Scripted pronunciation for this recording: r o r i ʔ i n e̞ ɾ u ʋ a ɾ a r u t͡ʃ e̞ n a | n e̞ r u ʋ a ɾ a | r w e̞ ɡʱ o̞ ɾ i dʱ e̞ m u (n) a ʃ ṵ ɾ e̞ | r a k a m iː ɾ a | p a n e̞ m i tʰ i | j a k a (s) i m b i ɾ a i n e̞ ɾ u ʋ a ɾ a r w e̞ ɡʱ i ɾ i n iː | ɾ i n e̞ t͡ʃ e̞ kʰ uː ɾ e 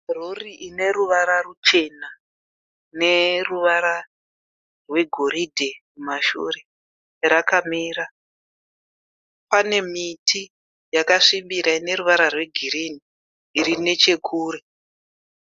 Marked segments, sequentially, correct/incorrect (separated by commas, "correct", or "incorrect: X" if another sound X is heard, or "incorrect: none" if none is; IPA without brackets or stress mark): incorrect: m, incorrect: ʂ